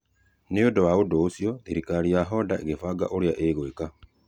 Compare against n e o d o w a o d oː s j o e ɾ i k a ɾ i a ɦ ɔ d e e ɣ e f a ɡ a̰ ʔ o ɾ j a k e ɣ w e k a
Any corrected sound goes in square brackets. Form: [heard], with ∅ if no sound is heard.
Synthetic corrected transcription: n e o d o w a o d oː s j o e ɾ i k a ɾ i a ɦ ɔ d [a] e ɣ e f a ɡ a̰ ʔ o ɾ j a [ʔ] e ɣ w e k a